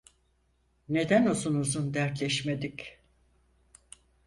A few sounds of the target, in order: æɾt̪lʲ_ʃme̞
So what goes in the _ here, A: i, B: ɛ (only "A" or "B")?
B